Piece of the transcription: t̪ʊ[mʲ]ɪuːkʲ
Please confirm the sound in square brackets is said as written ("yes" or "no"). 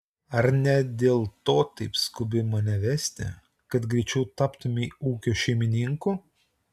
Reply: yes